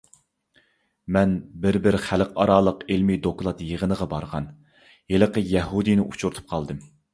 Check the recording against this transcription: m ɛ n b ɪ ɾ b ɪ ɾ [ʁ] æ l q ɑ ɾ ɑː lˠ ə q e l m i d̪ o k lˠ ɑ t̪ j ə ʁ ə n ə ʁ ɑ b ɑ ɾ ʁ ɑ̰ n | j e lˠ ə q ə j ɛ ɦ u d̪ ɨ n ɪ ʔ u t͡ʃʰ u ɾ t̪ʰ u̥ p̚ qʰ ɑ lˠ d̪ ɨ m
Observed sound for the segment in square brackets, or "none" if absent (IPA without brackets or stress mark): χ